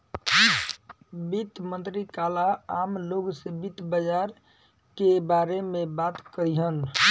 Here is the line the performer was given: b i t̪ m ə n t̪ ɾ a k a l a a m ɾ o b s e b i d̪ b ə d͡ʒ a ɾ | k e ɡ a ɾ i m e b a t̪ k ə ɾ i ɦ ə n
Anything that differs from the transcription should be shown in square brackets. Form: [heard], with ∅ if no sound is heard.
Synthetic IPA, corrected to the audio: b i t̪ m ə n t̪ ɾ [i] k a l a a m [l] o [ɡ] s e b i [t̪] b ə d͡ʒ a ɾ | k e [b] a ɾ [e] m e b a t̪ k ə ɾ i ɦ ə n